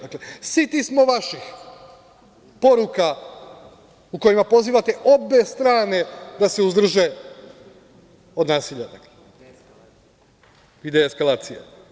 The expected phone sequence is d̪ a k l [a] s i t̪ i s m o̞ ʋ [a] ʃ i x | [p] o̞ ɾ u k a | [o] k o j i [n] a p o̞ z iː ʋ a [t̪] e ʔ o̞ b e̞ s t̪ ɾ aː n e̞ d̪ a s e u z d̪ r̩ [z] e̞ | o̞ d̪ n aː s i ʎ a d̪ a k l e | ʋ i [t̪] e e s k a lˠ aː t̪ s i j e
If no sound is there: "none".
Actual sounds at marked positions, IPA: e, a, p, u, m, t̪, ʒ, d̪

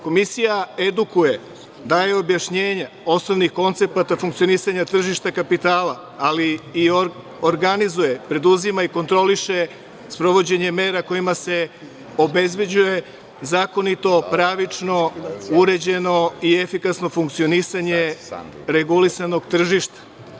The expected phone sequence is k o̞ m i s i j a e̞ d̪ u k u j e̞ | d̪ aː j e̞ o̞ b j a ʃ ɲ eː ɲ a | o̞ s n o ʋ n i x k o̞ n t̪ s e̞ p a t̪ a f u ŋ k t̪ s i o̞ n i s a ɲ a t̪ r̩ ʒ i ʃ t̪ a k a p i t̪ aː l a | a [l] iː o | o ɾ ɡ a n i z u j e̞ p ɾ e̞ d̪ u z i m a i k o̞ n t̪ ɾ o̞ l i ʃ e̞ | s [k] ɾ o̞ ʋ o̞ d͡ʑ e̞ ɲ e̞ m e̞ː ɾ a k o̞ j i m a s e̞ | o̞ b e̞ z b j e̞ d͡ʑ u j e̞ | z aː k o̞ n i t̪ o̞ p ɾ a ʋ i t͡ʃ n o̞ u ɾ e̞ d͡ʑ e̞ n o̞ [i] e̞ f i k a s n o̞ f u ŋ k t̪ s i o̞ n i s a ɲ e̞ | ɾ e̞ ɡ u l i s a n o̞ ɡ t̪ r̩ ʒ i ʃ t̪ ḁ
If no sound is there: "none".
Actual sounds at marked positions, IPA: l, p, i

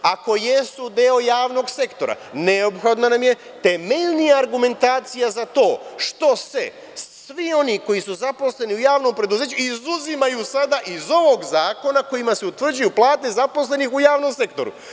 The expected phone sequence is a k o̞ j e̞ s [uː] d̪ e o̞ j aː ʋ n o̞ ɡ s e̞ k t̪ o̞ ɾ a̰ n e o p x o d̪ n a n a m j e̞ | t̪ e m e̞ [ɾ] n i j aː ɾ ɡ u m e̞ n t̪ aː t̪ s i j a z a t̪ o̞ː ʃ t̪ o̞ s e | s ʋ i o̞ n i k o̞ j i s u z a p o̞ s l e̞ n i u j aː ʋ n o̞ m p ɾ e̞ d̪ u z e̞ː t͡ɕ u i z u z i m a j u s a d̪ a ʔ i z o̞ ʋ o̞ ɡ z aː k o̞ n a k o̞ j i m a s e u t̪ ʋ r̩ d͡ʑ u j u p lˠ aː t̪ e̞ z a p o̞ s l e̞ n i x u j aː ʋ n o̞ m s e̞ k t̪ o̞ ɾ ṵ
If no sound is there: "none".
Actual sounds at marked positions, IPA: u, ʎ

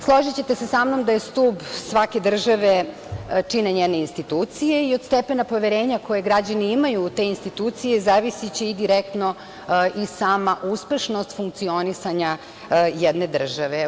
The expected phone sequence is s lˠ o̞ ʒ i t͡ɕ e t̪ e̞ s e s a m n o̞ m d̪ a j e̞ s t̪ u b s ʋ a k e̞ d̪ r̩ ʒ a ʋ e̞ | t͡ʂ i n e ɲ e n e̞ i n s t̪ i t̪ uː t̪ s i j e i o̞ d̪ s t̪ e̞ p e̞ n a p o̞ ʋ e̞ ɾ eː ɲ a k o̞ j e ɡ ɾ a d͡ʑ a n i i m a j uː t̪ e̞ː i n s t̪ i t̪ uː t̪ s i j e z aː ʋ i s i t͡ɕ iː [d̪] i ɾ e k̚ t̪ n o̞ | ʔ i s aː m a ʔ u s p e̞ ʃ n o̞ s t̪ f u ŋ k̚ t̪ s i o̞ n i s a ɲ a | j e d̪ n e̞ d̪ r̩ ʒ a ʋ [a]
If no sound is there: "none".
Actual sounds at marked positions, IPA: d̪, e

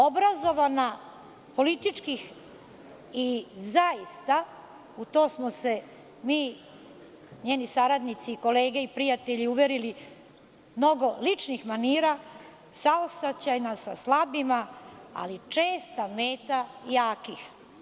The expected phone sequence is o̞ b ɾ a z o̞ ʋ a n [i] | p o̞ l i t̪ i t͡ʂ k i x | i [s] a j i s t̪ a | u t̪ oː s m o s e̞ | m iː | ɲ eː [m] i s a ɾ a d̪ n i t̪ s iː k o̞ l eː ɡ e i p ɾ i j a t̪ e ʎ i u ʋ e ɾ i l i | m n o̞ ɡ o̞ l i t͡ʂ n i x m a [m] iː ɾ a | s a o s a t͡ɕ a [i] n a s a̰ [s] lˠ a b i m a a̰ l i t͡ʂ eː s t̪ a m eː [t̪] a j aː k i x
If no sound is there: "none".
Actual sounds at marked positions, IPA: a, z, n, n, j, s, t̪

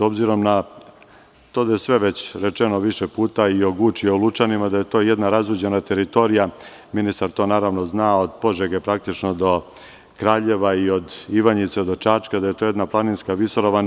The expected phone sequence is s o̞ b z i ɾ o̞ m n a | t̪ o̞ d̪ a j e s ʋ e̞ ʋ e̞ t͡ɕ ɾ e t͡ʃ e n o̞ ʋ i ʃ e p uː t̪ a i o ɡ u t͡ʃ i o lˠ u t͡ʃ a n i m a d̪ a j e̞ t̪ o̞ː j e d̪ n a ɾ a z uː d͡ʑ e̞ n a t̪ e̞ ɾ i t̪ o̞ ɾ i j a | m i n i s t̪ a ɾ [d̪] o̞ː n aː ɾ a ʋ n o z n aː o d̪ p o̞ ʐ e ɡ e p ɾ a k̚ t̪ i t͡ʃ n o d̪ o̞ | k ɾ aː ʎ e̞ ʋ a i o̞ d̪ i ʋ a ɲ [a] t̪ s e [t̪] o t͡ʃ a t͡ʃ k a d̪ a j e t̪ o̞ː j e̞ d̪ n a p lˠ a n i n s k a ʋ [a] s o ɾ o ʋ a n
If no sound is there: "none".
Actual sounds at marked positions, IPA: t̪, i, d̪, i

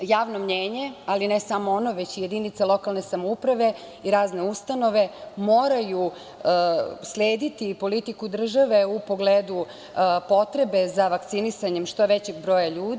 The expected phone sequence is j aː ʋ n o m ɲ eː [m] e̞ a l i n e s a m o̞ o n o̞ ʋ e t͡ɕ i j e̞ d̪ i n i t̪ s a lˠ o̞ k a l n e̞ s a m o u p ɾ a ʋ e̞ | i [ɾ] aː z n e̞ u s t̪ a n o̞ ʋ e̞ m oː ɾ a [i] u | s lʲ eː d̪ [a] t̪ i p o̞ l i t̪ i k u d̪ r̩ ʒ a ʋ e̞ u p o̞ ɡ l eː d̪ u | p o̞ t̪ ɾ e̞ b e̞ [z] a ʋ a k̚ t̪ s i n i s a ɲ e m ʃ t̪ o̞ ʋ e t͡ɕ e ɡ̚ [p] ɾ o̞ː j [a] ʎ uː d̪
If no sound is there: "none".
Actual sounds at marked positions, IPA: ɲ, ɾ, j, i, z, b, a

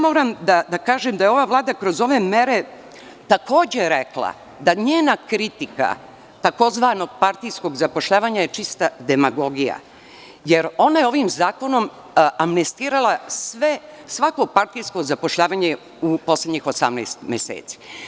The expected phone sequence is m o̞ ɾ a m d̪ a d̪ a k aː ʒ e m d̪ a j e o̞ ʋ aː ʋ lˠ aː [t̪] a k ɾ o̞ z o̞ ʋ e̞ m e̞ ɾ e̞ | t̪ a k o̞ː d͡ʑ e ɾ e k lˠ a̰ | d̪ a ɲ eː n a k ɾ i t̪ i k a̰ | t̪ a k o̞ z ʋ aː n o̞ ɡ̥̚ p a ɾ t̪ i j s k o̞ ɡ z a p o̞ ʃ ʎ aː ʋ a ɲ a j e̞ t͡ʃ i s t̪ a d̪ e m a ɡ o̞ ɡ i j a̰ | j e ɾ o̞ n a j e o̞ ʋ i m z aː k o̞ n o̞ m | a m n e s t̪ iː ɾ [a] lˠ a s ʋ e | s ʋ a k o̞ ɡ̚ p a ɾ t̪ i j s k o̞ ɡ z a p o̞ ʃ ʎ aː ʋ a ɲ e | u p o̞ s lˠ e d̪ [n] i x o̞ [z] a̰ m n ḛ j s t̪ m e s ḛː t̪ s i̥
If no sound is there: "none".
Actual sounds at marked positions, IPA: d̪, a, ɲ, s

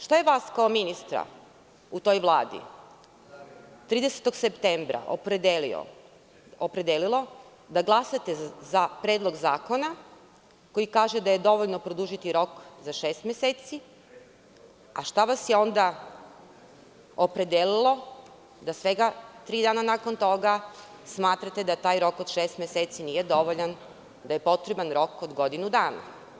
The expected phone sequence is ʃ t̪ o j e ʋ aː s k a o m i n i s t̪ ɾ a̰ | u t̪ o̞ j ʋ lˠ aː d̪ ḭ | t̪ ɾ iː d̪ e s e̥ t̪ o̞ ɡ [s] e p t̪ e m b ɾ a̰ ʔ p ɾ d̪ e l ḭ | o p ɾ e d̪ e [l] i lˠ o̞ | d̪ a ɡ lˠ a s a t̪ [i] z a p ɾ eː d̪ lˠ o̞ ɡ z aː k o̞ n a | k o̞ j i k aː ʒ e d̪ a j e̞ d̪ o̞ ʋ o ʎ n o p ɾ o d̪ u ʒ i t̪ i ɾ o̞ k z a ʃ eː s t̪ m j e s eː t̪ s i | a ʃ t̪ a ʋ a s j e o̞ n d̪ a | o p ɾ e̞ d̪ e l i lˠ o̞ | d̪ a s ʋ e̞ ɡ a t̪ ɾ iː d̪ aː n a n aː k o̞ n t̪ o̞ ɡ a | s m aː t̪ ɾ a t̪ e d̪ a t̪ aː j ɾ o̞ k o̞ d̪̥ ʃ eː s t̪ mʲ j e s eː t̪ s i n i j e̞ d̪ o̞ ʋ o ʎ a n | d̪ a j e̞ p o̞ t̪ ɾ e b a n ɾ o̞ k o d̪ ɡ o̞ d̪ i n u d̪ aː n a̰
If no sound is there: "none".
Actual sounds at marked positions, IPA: s, l, e

